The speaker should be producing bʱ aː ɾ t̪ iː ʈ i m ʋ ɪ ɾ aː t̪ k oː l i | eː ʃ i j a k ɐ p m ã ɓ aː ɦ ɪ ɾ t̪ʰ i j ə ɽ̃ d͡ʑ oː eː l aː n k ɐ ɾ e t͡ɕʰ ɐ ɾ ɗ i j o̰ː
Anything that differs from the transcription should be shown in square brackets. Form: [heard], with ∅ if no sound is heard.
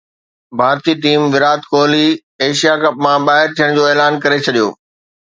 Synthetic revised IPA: bʱ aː ɾ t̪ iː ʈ [iː] m ʋ ɪ ɾ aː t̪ k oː l i | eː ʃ i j a k ɐ p m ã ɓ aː ɦ ɪ ɾ t̪ʰ i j ə ɽ̃ d͡ʑ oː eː l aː n k ɐ ɾ e t͡ɕʰ ɐ [∅] ɗ i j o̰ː